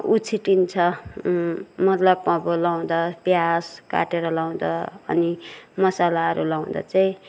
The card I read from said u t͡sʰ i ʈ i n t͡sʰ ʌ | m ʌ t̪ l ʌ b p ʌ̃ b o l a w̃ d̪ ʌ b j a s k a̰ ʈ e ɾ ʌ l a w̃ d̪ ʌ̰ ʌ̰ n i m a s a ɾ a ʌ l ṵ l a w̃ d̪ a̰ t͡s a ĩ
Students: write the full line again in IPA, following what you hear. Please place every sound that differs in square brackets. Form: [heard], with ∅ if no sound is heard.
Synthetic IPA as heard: u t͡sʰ i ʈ i n t͡sʰ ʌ | m ʌ t̪ l ʌ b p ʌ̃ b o l a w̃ d̪ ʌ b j a s k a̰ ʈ e ɾ ʌ l a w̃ d̪ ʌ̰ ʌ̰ n i m [ʌ] s a [l] a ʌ [ɾ] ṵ l a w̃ d̪ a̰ t͡s a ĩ

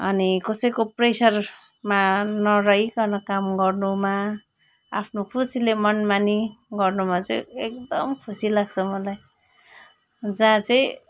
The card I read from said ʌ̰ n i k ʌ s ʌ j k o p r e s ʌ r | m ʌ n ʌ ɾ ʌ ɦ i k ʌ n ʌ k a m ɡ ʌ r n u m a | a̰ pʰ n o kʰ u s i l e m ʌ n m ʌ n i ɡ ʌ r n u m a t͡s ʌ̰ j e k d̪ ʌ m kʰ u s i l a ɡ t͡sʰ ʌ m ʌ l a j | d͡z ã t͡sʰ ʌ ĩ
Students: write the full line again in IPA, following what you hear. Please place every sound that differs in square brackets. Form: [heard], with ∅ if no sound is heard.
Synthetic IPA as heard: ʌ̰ n i k ʌ s ʌ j k o p r e s ʌ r | m [a] n ʌ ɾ ʌ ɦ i k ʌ n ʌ k a m ɡ ʌ r n u m a | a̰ pʰ n o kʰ u s i l e m ʌ n m [a] n i ɡ ʌ r n u m a t͡s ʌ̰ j e k d̪ ʌ m kʰ u s i l a ɡ t͡sʰ ʌ m ʌ l a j | d͡z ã [t͡s] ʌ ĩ

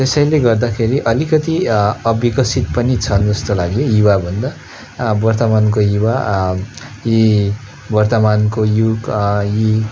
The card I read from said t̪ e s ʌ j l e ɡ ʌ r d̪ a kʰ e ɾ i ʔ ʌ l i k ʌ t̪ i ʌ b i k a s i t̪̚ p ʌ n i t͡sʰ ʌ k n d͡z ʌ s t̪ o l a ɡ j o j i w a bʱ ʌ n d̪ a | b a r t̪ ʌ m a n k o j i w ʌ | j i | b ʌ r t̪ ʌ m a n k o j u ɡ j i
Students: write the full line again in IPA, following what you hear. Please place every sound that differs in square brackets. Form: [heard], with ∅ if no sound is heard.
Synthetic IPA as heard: t̪ e s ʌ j l e ɡ ʌ r d̪ a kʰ e ɾ i ʔ ʌ l i k ʌ t̪ i ʌ b i k [ʌ] s i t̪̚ p ʌ n i t͡sʰ ʌ [∅] n d͡z ʌ s t̪ o l a ɡ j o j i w a bʱ ʌ n d̪ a | b [ʌ] r t̪ ʌ m a n k o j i w [a] | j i | b ʌ r t̪ ʌ m a n k o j u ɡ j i

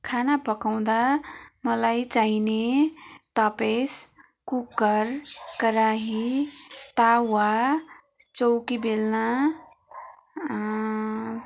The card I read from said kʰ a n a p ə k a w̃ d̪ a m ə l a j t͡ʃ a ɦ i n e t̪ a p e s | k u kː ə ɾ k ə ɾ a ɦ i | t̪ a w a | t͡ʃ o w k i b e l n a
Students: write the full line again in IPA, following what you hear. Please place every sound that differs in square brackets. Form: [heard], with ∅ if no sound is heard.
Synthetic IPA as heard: kʰ a n a p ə k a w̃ d̪ a m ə l a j t͡ʃ a ɦ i n e t̪ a p e s | k u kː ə ɾ k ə ɾ a ɦ i | t̪ a w a | t͡ʃ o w k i b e l n a

